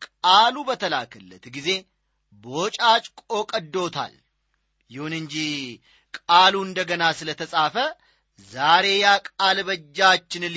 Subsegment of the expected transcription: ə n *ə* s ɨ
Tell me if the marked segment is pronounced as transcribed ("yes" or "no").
no